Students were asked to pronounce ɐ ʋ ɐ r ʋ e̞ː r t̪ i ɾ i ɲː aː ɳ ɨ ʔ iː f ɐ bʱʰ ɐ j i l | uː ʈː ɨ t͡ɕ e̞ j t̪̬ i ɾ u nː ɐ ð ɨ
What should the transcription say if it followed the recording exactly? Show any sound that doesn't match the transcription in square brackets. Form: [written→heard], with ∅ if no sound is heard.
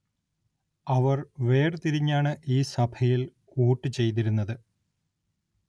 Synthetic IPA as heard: ɐ ʋ ɐ r ʋ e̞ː r t̪ i ɾ i ɲː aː ɳ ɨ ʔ iː [f→s] ɐ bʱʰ ɐ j i l | uː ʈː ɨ t͡ɕ e̞ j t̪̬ i ɾ u nː ɐ ð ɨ